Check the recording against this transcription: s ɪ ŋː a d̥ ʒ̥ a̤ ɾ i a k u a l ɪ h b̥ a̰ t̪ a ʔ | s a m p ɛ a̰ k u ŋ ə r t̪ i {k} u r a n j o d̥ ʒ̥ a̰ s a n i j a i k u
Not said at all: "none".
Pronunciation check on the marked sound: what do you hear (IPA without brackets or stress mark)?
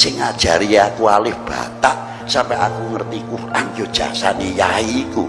k